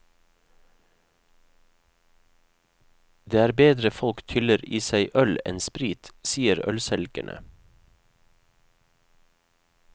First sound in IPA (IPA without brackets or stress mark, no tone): d̪